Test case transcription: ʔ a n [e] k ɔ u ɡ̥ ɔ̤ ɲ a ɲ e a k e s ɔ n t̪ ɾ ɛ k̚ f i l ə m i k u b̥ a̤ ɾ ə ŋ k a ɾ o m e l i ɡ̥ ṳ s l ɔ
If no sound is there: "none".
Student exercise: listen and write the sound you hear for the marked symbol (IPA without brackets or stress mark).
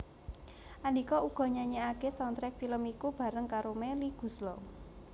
i